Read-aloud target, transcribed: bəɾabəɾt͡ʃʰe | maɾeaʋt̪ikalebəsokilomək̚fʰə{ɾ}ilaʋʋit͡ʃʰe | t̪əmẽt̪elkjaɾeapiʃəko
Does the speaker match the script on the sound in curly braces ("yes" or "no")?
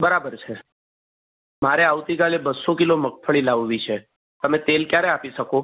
no